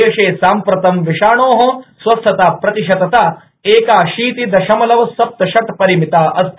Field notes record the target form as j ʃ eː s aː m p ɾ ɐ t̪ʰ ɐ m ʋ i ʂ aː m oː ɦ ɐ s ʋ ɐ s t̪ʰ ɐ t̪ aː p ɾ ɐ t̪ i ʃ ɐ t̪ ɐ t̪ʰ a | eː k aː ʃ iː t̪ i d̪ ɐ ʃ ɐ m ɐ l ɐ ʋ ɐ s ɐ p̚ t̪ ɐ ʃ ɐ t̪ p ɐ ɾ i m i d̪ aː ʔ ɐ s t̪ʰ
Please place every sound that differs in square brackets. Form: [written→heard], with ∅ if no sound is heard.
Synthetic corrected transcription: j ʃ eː s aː m p ɾ ɐ [t̪ʰ→t̪] ɐ m ʋ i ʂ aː [m→ɳ] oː ɦ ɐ s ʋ ɐ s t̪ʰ ɐ t̪ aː p ɾ ɐ t̪ i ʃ ɐ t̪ ɐ [t̪ʰ→t̪] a | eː k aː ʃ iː t̪ i d̪ ɐ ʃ ɐ m ɐ l ɐ ʋ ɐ s ɐ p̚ t̪ ɐ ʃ ɐ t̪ p ɐ ɾ i m i [d̪→t̪] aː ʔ ɐ s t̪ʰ